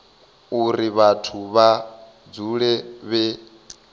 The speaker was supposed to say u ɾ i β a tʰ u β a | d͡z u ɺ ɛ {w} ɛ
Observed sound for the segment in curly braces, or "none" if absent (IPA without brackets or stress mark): β